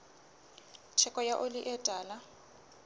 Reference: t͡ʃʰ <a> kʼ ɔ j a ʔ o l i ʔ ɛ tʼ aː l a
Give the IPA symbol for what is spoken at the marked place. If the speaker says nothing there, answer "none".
ɛ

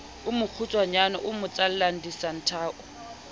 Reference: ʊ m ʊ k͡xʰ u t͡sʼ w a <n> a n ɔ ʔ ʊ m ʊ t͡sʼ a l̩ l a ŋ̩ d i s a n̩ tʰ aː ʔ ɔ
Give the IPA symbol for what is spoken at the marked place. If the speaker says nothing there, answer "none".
ɲ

